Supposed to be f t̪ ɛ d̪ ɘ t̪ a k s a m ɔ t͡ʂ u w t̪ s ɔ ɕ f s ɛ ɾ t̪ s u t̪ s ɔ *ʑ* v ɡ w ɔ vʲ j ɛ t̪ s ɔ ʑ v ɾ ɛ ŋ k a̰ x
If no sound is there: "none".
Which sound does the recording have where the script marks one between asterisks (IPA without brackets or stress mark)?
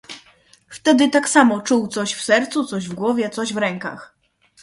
ʑ